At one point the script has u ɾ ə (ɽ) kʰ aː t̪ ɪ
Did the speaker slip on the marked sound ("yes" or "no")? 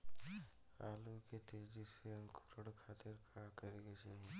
no